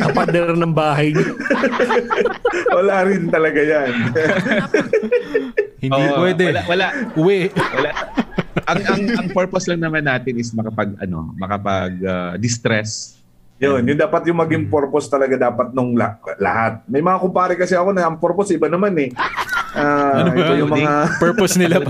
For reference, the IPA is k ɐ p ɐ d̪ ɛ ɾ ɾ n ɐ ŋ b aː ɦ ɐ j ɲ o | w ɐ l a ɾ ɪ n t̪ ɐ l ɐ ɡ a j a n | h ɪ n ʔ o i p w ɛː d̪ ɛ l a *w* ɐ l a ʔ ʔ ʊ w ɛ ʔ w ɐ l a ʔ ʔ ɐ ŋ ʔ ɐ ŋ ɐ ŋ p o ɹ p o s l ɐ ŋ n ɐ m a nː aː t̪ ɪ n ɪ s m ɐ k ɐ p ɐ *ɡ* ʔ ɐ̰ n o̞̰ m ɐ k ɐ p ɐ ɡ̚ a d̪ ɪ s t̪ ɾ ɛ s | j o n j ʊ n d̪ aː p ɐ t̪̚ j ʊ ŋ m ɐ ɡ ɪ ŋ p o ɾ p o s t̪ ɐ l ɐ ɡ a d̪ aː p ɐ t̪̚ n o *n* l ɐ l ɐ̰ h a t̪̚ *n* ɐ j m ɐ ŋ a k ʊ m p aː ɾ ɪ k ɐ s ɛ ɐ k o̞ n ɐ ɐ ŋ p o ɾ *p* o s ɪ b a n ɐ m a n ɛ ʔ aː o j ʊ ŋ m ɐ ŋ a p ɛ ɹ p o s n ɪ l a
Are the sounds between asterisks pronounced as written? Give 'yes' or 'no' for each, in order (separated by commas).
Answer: yes, yes, no, no, yes